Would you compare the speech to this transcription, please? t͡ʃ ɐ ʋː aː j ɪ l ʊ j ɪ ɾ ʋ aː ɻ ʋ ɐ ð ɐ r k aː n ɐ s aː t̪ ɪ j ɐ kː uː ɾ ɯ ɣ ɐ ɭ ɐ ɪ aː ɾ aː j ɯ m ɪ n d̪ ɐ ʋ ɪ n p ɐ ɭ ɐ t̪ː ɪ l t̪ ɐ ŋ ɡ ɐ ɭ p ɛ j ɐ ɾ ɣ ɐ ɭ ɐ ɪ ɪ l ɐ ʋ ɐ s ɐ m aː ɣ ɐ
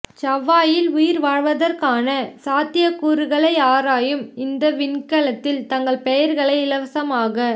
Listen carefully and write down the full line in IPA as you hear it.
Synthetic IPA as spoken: t͡ʃ ɐ ʋː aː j ɪ l ʊ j ɪ ɾ ʋ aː ɻ ʋ ɐ ð ɐ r k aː n ɐ s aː t̪ ɪ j ɐ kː uː ɾ ɯ ɣ ɐ ɭ ɐ ɪ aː ɾ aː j ɯ m ɪ n d̪ ɐ ʋ ɪ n k ɐ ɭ ɐ t̪ː ɪ l t̪ ɐ ŋ ɡ ɐ ɭ p ɛ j ɐ ɾ ɣ ɐ ɭ ɐ ɪ ɪ l ɐ ʋ ɐ s ɐ m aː ɣ ɐ

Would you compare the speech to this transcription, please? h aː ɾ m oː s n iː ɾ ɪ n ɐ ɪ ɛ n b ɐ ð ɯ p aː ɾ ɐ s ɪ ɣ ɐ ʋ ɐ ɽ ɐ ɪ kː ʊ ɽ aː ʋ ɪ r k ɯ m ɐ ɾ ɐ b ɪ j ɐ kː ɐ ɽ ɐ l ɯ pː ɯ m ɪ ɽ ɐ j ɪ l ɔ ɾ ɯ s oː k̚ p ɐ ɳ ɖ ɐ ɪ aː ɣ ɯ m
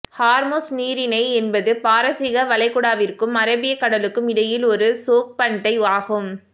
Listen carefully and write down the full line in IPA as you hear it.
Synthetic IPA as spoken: h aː ɾ m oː s n iː ɾ ɪ n ɐ ɪ ɛ n b ɐ ð ɯ p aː ɾ ɐ s ɪ ɣ ɐ ʋ ɐ l ɐ ɪ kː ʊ ɽ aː ʋ ɪ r k ɯ m ɐ ɾ ɐ b ɪ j ɐ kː ɐ ɽ ɐ l ɯ kː ɯ m ɪ ɽ ɐ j ɪ l ɔ ɾ ɯ s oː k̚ p ɐ ɳ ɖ ɐ ɪ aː ɣ ɯ m

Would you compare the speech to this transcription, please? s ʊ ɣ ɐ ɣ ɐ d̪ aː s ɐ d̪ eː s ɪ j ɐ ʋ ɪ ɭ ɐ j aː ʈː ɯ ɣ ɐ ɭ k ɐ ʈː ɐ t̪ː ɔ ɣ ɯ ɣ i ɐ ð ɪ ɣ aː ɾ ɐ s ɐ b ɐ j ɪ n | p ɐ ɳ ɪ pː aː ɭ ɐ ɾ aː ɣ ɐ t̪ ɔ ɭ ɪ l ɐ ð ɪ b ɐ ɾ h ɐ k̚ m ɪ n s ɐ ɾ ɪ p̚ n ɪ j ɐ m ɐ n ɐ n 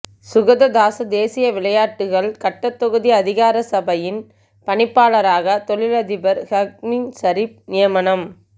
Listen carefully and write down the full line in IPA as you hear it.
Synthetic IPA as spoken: s ʊ ɣ ɐ ð ɐ d̪ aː s ɐ d̪ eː s ɪ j ɐ ʋ ɪ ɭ ɐ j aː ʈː ɯ ɣ ɐ ɭ k ɐ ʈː ɐ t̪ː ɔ ɣ ɯ ð i ɐ ð ɪ ɣ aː ɾ ɐ s ɐ b ɐ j ɪ n | p ɐ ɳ ɪ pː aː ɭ ɐ ɾ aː ɣ ɐ t̪ ɔ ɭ ɪ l ɐ ð ɪ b ɐ ɾ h ɐ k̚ m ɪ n s ɐ ɾ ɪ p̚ n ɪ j ɐ m ɐ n ɐ m

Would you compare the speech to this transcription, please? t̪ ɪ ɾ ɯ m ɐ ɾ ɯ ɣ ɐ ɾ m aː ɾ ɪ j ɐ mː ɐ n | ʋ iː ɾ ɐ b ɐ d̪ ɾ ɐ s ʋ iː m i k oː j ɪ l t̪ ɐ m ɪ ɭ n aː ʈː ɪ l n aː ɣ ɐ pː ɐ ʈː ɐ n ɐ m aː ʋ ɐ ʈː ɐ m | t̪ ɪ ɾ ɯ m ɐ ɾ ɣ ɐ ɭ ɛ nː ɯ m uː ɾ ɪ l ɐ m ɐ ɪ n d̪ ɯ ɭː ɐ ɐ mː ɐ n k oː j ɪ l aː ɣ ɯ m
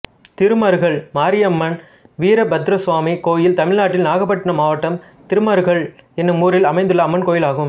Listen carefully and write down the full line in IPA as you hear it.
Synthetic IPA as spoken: t̪ ɪ ɾ ɯ m ɐ ɾ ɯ ɣ ɐ ɭ m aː ɾ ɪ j ɐ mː ɐ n | ʋ iː ɾ ɐ b ɐ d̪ ɾ ɐ s ʋ aː m i k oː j ɪ l t̪ ɐ m ɪ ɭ n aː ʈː ɪ l n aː ɣ ɐ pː ɐ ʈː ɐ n ɐ m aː ʋ ɐ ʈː ɐ m | t̪ ɪ ɾ ɯ m ɐ ɾ ɣ ɐ ɭ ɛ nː ɯ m uː ɾ ɪ l ɐ m ɐ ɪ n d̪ ɯ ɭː ɐ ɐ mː ɐ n k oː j ɪ l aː ɣ ɯ m

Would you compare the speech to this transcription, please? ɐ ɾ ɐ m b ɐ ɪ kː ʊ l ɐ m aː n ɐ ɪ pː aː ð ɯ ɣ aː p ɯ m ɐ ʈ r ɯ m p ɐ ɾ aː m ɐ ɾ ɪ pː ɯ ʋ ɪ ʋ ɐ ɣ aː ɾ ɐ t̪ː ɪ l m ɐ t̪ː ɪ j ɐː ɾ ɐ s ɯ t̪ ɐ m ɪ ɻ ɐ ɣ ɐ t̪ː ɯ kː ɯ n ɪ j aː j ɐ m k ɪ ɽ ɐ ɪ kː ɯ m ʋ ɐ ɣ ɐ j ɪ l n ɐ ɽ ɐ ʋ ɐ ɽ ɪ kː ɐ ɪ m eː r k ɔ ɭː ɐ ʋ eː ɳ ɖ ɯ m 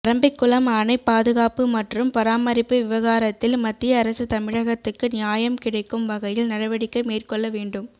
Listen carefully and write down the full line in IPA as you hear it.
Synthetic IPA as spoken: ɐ ɾ ɐ m b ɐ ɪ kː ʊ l ɐ m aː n ɐ ɪ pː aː ð ɯ ɣ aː p ɯ m ɐ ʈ r ɯ m p ɐ ɾ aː m ɐ ɾ ɪ pː ɯ ʋ ɪ ʋ ɐ ɣ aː ɾ ɐ t̪ː ɪ l m ɐ t̪ː ɪ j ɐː ɾ ɐ s ɯ t̪ ɐ m ɪ ɻ ɐ ɣ ɐ t̪ː ɯ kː ɯ n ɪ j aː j ɐ m k ɪ ɽ ɐ ɪ kː ɯ m ʋ ɐ ɣ ɐ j ɪ l n ɐ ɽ ɐ ʋ ɐ ɽ ɪ kː ɐ ɪ m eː r k ɔ ɭː ɐ ʋ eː ɳ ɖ ɯ m

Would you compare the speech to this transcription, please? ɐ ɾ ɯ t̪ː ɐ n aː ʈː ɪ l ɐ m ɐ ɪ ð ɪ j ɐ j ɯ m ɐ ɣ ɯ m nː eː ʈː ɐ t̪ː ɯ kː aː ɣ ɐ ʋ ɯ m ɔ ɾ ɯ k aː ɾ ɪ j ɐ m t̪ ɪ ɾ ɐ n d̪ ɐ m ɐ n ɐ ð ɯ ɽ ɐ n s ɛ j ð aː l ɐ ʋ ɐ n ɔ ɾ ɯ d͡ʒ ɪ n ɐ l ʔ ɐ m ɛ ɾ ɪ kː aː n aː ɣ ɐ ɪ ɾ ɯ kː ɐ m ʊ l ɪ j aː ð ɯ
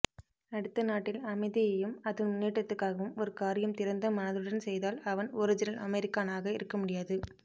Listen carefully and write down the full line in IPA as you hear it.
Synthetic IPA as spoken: ɐ ɽ ɯ t̪ː ɐ n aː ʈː ɪ l ɐ m ɐ ɪ ð ɪ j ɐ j ɯ m ɐ ð ɯ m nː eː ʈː ɐ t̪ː ɯ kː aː ɣ ɐ ʋ ɯ m ɔ ɾ ɯ k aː ɾ ɪ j ɐ m t̪ ɪ ɾ ɐ n d̪ ɐ m ɐ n ɐ ð ɯ ɽ ɐ n s ɛ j ð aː l ɐ ʋ ɐ n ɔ ɾ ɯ d͡ʒ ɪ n ɐ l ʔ ɐ m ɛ ɾ ɪ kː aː n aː ɣ ɐ ɪ ɾ ɯ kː ɐ m ʊ ɽ ɪ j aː ð ɯ

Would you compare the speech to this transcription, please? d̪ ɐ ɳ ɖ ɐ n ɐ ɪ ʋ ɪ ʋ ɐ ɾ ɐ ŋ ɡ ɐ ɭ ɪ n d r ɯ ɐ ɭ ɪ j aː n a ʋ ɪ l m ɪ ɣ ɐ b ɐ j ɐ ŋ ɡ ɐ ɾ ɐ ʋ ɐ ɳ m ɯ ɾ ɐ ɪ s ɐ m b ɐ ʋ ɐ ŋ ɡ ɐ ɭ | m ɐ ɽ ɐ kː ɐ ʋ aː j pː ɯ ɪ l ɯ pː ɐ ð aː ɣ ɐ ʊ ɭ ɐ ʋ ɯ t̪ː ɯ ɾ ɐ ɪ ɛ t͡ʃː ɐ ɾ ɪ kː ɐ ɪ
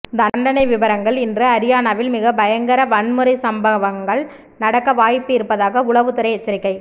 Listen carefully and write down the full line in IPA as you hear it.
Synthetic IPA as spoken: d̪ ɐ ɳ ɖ ɐ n ɐ ɪ ʋ ɪ ʋ ɐ ɾ ɐ ŋ ɡ ɐ ɭ ɪ n d r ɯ ɐ ɾ ɪ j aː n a ʋ ɪ l m ɪ ɣ ɐ b ɐ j ɐ ŋ ɡ ɐ ɾ ɐ ʋ ɐ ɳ m ɯ ɾ ɐ ɪ s ɐ m b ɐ ʋ ɐ ŋ ɡ ɐ ɭ | n ɐ ɽ ɐ kː ɐ ʋ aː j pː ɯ ɪ ɾ ɯ pː ɐ ð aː ɣ ɐ ʊ ɭ ɐ ʋ ɯ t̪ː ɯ ɾ ɐ ɪ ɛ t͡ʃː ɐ ɾ ɪ kː ɐ ɪ

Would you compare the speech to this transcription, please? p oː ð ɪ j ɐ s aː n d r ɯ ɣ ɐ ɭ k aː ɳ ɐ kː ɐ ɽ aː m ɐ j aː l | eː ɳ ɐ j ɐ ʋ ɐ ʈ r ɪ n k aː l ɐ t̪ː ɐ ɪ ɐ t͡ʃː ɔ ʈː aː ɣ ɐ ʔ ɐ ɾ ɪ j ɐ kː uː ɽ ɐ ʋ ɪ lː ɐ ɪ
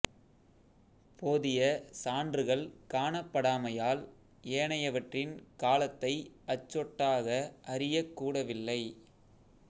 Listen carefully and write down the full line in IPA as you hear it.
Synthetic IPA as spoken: p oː ð ɪ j ɐ s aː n d r ɯ ɣ ɐ ɭ k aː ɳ ɐ pː ɐ ɽ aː m ɐ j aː l | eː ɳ ɐ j ɐ ʋ ɐ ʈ r ɪ n k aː l ɐ t̪ː ɐ ɪ ɐ t͡ʃː ɔ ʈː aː ɣ ɐ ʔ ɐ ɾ ɪ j ɐ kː uː ɽ ɐ ʋ ɪ lː ɐ ɪ

